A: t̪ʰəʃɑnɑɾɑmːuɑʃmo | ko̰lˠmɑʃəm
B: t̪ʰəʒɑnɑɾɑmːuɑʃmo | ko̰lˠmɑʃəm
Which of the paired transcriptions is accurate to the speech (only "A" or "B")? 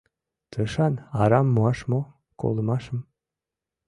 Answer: A